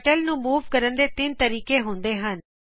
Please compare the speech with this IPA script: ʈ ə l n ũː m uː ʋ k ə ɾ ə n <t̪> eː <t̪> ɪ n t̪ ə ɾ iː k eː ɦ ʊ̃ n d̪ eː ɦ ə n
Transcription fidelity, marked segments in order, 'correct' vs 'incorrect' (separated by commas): incorrect, correct